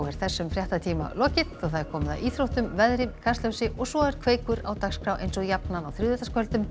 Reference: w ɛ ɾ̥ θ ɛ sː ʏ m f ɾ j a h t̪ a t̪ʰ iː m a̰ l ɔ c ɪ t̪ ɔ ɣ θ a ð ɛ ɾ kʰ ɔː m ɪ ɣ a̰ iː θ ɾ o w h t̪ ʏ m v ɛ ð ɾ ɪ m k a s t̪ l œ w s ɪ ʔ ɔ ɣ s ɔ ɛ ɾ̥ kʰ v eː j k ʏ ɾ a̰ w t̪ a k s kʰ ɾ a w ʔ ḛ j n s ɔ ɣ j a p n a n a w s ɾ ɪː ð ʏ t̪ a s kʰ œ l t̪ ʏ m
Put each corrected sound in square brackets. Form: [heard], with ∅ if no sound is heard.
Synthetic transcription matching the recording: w ɛ ɾ̥ θ ɛ sː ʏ m f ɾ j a h t̪ a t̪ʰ iː m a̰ l ɔ c ɪ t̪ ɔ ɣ θ a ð ɛ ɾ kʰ ɔː m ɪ [ð] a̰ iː θ ɾ o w h t̪ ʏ m v ɛ ð ɾ ɪ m [kʰ] a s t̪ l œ w s ɪ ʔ ɔ ɣ s ɔ ɛ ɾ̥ kʰ v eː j k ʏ ɾ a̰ w t̪ a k s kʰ ɾ a w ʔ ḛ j n s ɔ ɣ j a p n a n a w [θ] ɾ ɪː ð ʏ t̪ a s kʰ œ l t̪ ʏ m

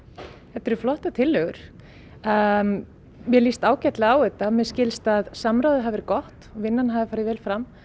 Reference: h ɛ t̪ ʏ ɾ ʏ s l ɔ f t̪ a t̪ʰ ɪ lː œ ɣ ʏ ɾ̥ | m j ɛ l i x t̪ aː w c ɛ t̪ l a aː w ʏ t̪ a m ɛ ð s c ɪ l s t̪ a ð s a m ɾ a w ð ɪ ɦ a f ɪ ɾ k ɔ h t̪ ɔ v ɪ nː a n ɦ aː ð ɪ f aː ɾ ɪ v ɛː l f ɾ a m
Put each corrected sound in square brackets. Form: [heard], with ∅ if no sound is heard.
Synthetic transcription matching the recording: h ɛ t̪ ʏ ɾ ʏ [f] l ɔ [h] t̪ a t̪ʰ ɪ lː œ ɣ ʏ ɾ̥ | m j ɛ l i [s] t̪ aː w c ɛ t̪ l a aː w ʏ t̪ a m ɛ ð s c ɪ l s t̪ a ð s a m ɾ a w ð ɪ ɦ a [v] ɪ ɾ k ɔ h t̪ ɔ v ɪ nː a n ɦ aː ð ɪ f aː ɾ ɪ v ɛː l f ɾ a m

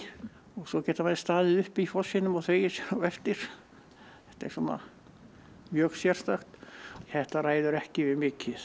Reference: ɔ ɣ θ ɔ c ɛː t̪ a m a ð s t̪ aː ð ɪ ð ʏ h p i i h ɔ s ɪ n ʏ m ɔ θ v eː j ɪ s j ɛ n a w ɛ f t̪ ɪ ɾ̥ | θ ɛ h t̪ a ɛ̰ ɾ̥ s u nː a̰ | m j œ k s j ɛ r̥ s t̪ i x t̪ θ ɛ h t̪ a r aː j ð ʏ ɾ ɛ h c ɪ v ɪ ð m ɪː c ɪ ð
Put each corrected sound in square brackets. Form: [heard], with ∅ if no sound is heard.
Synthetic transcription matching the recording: ɔ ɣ [s] ɔ c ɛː t̪ a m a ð s t̪ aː ð ɪ ð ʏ h p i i [f] ɔ s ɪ n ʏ m ɔ θ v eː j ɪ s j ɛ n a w ɛ f t̪ ɪ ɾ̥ | θ ɛ h t̪ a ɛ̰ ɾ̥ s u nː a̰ | m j œ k s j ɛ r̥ s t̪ [a] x t̪ θ ɛ h t̪ a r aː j ð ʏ ɾ ɛ h c ɪ v ɪ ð m ɪː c ɪ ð

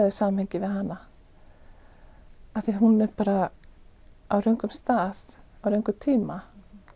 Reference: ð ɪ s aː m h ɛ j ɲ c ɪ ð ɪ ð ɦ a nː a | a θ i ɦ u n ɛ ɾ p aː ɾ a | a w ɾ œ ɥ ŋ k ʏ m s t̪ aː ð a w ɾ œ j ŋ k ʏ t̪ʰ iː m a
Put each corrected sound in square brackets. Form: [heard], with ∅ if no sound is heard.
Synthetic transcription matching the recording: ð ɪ s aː m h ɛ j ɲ c ɪ [v] ɪ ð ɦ a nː a | a θ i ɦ u n ɛ ɾ p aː ɾ a | a w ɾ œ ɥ ŋ k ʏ m s t̪ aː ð a w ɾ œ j ŋ k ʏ t̪ʰ iː m a

